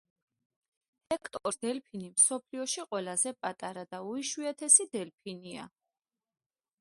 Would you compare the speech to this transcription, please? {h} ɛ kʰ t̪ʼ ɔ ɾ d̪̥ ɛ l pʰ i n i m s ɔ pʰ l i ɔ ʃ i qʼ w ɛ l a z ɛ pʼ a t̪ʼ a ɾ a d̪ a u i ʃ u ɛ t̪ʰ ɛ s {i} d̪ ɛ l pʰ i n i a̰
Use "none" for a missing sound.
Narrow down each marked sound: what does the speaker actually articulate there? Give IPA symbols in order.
h, i

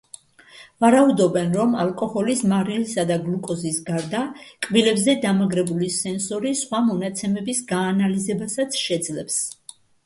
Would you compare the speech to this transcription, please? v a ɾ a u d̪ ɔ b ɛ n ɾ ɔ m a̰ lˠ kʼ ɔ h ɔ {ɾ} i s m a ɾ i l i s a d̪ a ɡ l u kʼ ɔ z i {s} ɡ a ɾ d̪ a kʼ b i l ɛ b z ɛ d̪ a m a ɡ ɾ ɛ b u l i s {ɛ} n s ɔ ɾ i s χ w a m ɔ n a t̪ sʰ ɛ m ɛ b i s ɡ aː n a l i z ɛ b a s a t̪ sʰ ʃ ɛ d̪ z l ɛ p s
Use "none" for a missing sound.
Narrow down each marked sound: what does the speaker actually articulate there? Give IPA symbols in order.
l, s, ɛ

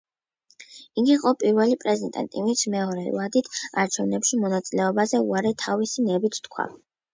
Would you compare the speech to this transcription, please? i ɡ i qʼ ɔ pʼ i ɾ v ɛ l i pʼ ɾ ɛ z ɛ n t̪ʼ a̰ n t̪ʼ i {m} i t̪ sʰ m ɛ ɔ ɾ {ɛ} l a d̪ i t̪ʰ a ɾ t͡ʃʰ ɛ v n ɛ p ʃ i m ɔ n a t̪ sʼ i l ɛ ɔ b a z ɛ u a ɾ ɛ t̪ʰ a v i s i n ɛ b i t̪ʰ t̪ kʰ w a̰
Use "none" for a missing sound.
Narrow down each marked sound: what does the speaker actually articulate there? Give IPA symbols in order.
m, ɛ

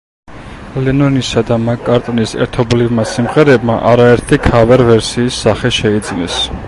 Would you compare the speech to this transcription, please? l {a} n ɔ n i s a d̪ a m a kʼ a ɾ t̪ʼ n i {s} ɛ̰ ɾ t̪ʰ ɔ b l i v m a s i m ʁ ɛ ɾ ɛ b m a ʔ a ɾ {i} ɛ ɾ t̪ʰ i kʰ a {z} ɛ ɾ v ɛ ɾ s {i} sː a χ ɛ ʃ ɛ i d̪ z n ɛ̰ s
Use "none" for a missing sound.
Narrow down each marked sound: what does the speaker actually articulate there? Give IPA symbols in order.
ɛ, s, a, v, iː

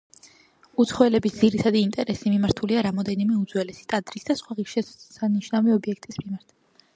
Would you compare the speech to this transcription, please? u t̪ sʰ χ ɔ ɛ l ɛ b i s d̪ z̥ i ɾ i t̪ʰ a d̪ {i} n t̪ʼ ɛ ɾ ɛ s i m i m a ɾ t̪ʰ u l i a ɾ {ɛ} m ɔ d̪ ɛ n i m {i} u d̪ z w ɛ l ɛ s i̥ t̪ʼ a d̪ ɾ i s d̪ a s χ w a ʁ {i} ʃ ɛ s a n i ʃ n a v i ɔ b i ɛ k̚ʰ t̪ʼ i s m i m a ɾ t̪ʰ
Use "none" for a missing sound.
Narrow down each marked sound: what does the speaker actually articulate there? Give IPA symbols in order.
iː, a, ɛ, i

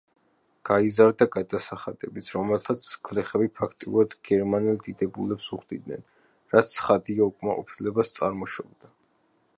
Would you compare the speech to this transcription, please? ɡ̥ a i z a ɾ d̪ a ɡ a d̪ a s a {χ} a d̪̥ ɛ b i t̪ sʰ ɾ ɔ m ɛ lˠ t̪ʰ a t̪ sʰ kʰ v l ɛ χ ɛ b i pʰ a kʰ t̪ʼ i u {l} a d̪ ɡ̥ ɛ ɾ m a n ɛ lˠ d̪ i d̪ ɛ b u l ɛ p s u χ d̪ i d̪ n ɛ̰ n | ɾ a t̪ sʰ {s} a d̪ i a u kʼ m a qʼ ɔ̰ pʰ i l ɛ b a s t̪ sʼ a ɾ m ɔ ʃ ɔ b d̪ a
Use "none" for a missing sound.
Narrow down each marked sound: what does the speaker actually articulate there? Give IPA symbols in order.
χ, ɾ, χ

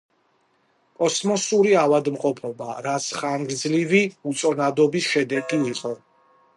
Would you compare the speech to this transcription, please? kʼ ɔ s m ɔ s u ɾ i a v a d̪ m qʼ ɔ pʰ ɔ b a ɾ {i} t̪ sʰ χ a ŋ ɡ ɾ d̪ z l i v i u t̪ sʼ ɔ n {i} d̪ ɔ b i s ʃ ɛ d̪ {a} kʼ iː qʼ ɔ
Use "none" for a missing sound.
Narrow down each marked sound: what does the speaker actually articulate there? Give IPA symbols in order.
a, a, ɛ

